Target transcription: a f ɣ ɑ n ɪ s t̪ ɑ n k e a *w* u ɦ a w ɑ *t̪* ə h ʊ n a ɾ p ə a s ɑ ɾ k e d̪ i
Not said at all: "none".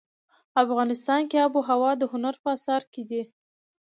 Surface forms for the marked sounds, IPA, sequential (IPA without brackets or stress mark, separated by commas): b, d̪